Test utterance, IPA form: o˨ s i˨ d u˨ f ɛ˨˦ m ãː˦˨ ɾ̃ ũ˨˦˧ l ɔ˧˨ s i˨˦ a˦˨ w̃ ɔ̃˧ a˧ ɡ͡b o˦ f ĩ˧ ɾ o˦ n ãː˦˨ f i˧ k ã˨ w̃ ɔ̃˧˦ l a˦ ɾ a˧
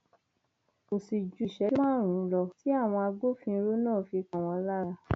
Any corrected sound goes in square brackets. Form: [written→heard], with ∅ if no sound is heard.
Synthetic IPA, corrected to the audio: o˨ s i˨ [d→d͡ʒ] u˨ [f→ʃ] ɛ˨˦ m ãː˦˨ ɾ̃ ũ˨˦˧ l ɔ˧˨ [s→t] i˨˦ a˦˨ w̃ ɔ̃˧ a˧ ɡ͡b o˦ f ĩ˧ ɾ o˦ n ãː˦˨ f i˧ k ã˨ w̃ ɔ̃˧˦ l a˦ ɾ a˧